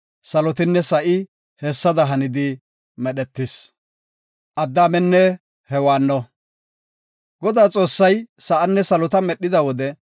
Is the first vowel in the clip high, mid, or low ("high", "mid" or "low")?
low